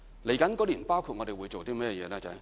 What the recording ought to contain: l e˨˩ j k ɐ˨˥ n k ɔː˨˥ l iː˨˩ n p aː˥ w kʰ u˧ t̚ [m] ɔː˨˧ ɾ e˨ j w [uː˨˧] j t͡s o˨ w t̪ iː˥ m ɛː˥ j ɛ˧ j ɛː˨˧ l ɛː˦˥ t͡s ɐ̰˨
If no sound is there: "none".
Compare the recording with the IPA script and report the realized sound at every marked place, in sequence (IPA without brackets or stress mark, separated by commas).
ŋ, u˨˧